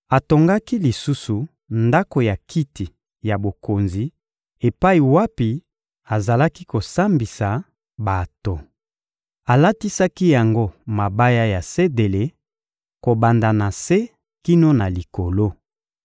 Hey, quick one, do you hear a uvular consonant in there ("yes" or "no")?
no